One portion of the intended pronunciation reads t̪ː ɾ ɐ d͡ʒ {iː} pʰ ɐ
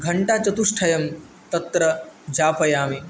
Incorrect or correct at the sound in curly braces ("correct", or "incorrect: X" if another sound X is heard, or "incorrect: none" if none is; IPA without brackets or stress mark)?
incorrect: aː